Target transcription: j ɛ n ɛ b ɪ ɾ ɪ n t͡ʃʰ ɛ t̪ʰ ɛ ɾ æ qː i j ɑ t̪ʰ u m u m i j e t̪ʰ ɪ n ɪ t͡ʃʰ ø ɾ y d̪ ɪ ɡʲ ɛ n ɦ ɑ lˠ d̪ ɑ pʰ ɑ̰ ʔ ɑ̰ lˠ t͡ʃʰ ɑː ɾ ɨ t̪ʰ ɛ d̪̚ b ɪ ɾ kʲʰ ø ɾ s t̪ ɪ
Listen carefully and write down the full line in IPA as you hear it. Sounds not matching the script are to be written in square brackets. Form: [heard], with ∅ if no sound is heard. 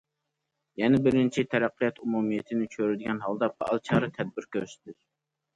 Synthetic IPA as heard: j ɛ n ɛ b ɪ ɾ ɪ n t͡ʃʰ [i] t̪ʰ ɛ ɾ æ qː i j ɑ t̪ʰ u m u m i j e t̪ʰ ɪ n ɪ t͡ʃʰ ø ɾ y d̪ ɪ ɡʲ ɛ n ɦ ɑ lˠ d̪ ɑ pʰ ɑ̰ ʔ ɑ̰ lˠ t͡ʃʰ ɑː ɾ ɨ t̪ʰ ɛ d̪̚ b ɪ ɾ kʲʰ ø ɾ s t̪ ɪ